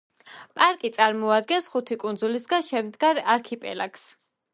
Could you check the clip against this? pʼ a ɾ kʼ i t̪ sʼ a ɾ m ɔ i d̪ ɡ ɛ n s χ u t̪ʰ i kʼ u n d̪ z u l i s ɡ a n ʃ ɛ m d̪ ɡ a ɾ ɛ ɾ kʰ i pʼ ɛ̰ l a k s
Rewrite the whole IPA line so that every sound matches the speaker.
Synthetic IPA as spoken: pʼ a ɾ kʼ i t̪ sʼ a ɾ m ɔ a d̪ ɡ ɛ n s χ u t̪ʰ i kʼ u n d̪ z u l i s ɡ a n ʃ ɛ m d̪ ɡ a ɾ a ɾ kʰ i pʼ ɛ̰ l a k s